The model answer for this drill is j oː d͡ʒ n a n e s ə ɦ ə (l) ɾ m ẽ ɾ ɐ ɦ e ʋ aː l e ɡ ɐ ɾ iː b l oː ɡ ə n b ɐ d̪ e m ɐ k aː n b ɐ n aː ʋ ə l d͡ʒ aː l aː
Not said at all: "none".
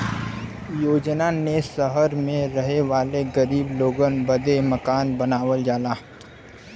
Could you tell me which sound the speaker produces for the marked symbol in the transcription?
none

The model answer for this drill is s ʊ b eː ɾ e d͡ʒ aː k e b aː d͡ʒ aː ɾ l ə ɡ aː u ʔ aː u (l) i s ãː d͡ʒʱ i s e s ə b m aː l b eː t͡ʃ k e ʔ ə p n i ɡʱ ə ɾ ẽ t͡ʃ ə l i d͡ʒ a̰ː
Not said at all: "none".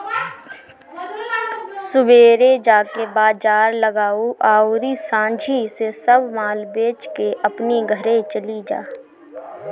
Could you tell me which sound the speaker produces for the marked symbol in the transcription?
ɾ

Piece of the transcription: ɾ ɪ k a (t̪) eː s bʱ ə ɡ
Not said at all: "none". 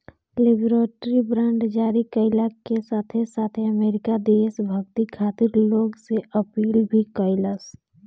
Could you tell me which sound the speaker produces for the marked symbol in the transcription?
d̪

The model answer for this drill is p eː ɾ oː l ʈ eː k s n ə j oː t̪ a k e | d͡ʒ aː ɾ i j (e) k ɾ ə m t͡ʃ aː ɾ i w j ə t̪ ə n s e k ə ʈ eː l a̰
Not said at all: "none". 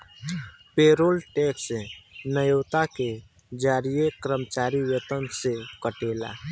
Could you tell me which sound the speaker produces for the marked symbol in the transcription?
e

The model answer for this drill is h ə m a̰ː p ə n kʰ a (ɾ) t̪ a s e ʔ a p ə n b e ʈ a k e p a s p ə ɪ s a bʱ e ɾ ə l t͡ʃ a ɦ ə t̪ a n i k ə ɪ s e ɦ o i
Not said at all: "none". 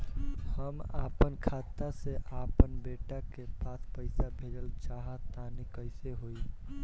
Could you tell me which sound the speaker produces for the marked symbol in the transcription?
none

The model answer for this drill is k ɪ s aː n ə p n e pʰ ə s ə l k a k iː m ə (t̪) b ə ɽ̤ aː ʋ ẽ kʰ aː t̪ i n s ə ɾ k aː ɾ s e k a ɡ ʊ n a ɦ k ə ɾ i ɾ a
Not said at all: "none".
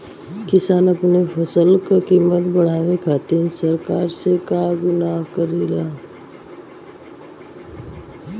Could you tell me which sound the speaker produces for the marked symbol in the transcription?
t̪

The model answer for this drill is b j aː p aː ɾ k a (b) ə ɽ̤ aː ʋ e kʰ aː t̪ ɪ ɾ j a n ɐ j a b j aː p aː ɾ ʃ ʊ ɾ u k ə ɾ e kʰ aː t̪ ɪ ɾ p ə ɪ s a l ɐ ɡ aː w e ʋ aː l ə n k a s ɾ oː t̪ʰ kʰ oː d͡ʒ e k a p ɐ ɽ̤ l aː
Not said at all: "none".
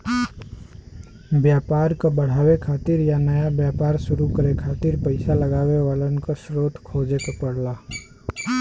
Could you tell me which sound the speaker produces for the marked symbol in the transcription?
b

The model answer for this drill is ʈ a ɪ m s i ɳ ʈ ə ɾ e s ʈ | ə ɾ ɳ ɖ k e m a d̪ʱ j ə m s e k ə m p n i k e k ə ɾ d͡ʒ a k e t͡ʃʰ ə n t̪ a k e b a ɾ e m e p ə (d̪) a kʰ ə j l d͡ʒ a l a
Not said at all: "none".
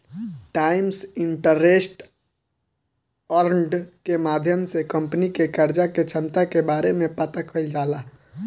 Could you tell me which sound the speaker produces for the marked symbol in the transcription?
t̪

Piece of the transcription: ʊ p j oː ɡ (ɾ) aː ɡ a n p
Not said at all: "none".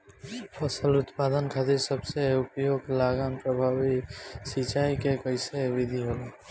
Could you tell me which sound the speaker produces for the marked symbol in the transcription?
l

